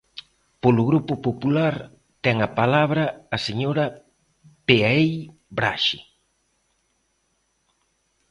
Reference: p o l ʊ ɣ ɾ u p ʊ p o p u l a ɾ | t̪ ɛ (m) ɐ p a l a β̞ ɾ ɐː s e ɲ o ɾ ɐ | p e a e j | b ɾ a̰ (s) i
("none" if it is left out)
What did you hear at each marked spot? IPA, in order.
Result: ŋ, ʃ

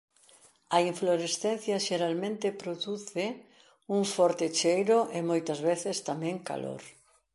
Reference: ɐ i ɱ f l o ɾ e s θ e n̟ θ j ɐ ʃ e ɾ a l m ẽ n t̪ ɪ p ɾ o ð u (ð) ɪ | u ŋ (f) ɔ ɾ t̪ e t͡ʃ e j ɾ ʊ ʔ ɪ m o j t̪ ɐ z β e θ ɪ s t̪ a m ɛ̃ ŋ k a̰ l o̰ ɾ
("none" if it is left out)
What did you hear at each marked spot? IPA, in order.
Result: θ, f

